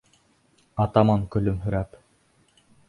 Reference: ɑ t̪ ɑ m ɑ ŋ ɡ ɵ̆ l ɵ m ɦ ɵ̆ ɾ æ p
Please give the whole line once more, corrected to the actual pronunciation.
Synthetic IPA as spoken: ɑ t̪ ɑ m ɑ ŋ k ɵ̆ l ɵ m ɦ ɵ̆ ɾ æ p